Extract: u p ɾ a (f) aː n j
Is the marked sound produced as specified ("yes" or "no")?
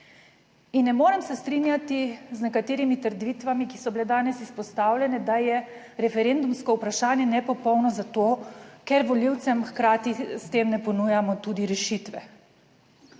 no